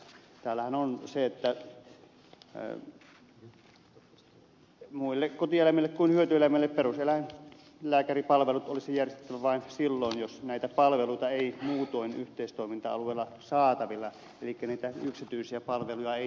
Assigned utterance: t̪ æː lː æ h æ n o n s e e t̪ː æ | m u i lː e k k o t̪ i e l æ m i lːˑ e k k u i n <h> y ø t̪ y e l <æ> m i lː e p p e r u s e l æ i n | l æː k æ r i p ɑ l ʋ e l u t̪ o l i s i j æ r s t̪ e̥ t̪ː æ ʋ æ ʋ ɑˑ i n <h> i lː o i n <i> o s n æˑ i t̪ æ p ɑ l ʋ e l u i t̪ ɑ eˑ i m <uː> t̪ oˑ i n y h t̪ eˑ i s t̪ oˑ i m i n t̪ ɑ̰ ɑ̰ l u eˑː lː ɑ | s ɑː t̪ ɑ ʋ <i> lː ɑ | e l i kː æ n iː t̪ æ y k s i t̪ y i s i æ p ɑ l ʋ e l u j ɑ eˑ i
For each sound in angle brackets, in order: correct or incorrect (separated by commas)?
correct, correct, incorrect, incorrect, correct, correct